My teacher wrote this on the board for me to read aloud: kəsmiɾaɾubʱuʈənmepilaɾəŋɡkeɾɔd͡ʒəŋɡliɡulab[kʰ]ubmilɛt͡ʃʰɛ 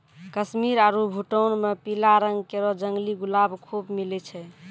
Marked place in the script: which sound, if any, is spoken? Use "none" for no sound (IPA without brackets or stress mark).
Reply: kʰ